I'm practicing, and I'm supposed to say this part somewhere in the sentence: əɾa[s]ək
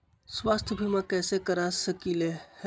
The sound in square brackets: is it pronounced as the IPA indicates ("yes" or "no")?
yes